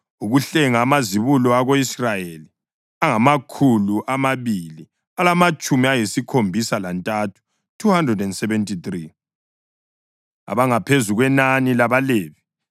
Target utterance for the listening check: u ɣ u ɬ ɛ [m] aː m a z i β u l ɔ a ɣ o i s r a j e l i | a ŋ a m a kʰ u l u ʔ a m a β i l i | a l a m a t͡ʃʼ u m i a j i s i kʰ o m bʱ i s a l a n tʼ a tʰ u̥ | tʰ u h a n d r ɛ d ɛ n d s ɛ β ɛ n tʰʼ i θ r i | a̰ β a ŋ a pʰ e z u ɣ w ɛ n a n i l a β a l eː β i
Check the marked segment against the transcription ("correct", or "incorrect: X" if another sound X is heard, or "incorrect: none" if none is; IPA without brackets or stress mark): incorrect: ŋ